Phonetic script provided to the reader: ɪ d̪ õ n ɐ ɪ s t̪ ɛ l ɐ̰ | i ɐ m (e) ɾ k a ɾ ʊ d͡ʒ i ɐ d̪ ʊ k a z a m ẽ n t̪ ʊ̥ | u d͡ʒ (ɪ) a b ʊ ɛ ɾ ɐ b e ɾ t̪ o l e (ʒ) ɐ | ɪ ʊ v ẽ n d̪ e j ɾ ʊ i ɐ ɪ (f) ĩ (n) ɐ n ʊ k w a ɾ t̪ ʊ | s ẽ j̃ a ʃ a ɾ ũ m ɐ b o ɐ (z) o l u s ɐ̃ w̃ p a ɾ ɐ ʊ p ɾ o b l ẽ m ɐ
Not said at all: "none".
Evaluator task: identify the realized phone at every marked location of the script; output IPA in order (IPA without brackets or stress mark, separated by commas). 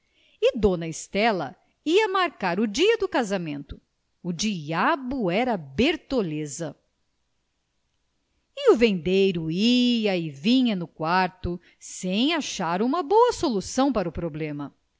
a, i, z, v, ɲ, s